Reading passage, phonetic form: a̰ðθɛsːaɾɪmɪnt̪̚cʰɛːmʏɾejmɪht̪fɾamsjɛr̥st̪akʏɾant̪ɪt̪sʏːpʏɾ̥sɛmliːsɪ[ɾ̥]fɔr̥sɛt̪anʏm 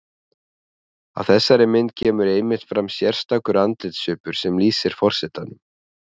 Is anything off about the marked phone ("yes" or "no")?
no